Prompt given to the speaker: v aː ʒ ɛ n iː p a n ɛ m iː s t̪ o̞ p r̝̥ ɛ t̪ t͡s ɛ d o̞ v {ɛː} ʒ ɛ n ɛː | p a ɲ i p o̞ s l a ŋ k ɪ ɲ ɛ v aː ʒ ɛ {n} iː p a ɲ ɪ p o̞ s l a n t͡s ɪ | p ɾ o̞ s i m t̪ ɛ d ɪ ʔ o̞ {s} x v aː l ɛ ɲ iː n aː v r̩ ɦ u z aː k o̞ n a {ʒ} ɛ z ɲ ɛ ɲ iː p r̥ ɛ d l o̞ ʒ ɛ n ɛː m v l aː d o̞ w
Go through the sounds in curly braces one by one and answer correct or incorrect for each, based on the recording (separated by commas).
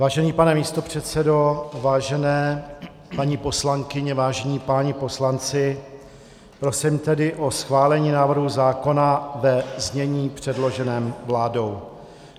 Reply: incorrect, incorrect, correct, incorrect